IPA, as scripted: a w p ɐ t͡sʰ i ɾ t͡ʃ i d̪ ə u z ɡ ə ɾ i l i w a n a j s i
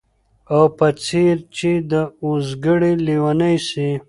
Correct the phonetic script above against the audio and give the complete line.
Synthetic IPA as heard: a w p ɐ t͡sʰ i ɾ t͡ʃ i d̪ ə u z ɡ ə ɽ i l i w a n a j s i